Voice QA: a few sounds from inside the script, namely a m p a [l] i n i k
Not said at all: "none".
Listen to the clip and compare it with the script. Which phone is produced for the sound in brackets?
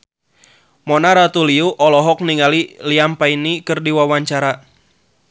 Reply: none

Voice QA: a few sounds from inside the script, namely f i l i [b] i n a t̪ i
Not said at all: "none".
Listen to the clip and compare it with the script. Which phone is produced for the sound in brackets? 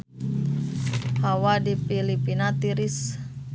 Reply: p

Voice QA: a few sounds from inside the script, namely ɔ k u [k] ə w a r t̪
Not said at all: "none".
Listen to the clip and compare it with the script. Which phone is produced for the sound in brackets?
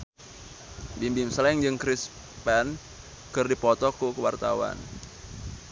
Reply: k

